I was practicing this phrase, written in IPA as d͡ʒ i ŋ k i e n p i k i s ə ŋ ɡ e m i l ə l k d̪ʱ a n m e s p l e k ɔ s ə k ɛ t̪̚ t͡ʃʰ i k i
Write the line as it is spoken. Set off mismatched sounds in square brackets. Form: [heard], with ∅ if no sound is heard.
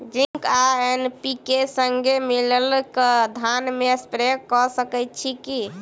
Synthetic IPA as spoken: d͡ʒ i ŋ k [a] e n p i k [e] s ə ŋ ɡ e m i l ə l k d̪ʱ a n m e s p [ɾ] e k ɔ s ə k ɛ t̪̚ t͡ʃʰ i k i